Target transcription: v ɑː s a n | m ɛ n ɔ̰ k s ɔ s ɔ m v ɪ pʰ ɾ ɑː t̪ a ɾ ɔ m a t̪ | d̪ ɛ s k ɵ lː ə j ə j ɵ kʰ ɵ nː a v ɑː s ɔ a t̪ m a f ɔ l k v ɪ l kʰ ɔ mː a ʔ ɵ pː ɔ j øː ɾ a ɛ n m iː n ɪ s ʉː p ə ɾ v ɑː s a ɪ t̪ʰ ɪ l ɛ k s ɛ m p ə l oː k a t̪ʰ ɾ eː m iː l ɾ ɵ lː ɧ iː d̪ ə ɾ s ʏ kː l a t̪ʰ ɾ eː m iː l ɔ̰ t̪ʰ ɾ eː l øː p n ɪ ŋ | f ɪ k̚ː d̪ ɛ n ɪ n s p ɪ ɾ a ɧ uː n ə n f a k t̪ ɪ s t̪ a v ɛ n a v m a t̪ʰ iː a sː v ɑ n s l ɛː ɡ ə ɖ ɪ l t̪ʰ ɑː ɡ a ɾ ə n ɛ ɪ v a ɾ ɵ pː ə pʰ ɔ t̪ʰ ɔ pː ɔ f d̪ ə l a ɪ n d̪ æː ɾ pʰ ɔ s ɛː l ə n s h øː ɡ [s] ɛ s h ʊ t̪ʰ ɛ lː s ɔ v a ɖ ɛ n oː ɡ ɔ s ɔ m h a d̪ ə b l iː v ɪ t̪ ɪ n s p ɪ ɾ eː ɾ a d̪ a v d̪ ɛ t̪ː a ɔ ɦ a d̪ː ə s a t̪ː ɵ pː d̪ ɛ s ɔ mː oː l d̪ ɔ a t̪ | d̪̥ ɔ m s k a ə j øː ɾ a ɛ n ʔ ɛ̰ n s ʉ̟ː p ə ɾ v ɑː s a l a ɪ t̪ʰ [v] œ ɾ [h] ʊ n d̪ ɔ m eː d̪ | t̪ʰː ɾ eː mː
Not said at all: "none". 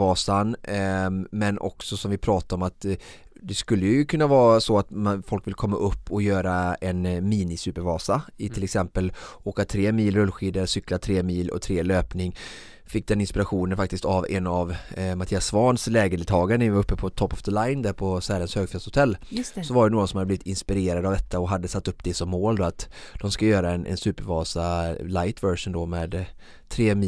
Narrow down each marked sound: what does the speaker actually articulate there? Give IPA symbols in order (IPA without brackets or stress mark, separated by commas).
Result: f, v, ʂ